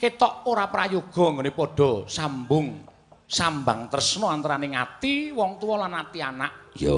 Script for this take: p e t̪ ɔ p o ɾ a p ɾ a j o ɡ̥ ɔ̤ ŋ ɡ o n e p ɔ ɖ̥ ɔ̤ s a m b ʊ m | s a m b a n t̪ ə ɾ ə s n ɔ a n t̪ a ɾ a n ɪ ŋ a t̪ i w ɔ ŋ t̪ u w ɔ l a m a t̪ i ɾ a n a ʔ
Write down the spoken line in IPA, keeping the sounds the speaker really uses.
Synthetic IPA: k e t̪ ɔ ʔ o ɾ a p ɾ a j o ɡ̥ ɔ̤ ŋ ɡ o n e p ɔ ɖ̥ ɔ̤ s a m b ʊ ŋ | s a m b a ŋ t̪ ə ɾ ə s n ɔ a n t̪ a ɾ a n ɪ ŋ a t̪ i w ɔ ŋ t̪ u w ɔ l a n a t̪ i a n a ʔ